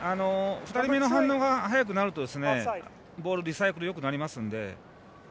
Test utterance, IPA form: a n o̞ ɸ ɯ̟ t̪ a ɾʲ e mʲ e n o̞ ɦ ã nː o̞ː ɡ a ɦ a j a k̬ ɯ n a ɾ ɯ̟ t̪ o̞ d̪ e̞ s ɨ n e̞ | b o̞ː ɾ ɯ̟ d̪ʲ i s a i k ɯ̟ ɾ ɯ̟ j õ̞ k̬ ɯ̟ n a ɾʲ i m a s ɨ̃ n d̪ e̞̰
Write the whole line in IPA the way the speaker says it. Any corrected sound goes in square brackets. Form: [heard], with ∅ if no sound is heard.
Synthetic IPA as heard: a n o̞ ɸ ɯ̟ t̪ a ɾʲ [i] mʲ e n o̞ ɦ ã nː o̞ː ɡ a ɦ a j a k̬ ɯ n a ɾ ɯ̟ t̪ o̞ d̪ e̞ s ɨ n e̞ | b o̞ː ɾ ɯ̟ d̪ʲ i s a i k ɯ̟ ɾ ɯ̟ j [o̞] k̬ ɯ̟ n a ɾʲ i m a s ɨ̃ n d̪ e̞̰